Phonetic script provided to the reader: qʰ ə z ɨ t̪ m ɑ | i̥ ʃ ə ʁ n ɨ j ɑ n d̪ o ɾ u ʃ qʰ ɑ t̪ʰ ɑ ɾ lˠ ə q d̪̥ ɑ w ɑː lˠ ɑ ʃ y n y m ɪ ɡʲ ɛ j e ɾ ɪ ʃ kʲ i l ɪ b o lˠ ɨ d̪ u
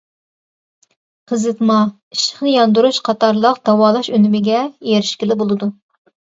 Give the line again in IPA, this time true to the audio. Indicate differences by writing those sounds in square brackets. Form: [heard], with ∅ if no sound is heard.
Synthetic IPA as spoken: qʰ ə z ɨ t̪ m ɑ | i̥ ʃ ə [χ] n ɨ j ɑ n d̪ [u] ɾ u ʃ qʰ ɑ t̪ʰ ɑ ɾ lˠ ə q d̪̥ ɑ w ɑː lˠ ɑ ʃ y n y m ɪ ɡʲ ɛ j e ɾ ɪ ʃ kʲ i l ɪ b o lˠ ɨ d̪ u